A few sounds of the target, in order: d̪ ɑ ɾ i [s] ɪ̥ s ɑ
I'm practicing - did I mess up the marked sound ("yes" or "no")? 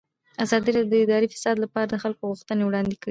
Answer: yes